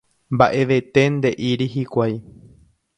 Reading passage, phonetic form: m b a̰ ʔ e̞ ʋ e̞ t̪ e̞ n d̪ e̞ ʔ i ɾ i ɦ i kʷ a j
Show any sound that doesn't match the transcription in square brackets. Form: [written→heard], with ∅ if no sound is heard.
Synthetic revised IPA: m b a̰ ʔ e̞ ʋ e̞ t̪ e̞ n d̪ e̞ ʔ i ɾ i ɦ i kʷ a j